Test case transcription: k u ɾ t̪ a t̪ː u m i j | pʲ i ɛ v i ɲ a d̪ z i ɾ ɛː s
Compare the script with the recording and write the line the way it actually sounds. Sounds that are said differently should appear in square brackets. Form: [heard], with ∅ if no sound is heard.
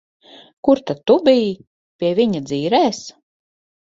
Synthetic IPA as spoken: k u ɾ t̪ a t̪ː u [b] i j | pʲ i ɛ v i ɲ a d̪ z [iː] ɾ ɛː s